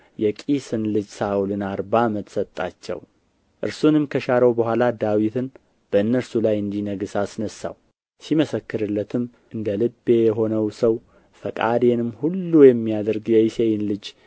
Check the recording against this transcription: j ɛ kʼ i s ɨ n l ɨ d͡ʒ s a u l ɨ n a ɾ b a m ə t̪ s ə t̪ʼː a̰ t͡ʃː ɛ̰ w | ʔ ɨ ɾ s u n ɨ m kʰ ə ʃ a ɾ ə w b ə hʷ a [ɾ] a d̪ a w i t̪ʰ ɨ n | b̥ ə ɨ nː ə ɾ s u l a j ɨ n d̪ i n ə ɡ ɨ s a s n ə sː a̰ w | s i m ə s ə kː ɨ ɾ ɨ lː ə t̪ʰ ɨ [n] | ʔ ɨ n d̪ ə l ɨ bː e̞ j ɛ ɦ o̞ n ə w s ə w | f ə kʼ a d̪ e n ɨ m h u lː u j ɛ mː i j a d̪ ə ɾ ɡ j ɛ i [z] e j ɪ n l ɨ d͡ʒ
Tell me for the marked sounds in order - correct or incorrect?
incorrect: l, incorrect: m, incorrect: s

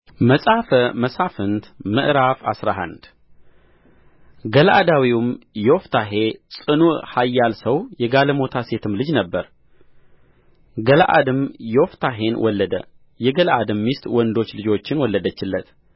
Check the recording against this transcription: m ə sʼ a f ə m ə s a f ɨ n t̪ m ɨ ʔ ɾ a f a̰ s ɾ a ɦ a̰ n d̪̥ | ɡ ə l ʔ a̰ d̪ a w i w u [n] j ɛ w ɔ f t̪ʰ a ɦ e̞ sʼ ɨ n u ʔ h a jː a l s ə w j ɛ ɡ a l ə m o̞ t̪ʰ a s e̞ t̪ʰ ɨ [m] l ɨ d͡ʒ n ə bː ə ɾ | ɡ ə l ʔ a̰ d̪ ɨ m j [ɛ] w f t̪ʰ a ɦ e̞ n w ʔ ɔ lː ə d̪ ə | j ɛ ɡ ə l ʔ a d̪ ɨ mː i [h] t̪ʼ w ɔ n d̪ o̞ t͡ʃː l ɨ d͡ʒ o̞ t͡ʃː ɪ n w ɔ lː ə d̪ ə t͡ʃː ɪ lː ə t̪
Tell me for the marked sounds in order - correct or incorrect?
incorrect: m, correct, correct, incorrect: s

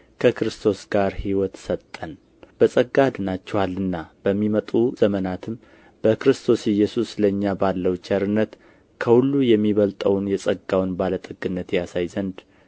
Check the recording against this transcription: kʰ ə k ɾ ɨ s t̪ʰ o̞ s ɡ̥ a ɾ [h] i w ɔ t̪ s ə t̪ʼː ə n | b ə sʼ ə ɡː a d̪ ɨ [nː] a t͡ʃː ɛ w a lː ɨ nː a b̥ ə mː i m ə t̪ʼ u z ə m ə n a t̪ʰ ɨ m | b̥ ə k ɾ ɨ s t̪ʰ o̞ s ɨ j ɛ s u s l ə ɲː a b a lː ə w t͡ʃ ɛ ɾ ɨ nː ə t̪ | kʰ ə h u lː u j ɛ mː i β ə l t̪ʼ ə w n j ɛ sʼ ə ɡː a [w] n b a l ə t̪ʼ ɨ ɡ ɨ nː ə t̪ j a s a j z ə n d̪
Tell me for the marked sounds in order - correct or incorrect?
correct, incorrect: n, correct

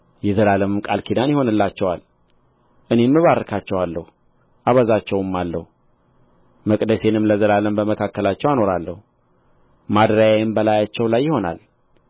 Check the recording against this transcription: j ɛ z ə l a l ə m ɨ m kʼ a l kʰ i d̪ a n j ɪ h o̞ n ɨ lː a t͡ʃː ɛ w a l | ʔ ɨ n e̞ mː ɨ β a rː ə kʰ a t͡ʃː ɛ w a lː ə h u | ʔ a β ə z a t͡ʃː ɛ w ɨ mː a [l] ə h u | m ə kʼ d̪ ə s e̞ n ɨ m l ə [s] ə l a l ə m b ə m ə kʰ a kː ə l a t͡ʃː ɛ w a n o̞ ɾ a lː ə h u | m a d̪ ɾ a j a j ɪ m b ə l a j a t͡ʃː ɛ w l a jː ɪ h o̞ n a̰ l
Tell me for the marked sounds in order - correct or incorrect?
incorrect: lː, incorrect: z

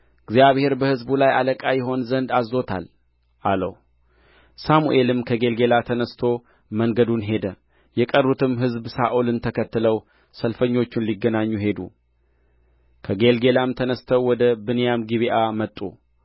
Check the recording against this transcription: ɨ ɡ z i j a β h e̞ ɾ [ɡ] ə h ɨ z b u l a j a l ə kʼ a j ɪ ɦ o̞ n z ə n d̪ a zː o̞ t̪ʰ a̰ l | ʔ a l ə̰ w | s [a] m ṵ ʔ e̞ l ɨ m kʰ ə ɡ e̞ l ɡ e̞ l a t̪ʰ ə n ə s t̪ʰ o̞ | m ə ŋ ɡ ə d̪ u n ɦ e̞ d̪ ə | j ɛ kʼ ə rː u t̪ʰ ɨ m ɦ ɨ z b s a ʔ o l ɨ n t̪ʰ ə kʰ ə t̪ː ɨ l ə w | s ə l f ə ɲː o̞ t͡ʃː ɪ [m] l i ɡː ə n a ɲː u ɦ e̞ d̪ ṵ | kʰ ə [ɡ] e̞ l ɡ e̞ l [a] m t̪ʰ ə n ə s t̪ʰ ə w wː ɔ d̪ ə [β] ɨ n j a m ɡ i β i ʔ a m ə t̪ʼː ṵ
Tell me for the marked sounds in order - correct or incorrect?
incorrect: b, correct, incorrect: n, correct, correct, incorrect: b

